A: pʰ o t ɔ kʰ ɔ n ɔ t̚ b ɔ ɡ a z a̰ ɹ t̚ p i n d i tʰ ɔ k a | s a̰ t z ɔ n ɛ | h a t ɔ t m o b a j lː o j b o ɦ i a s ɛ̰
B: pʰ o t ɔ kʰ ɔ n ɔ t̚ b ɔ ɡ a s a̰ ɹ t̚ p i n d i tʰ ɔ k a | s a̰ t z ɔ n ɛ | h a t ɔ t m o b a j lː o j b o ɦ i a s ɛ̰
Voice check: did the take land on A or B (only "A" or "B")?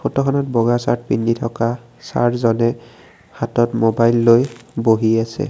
B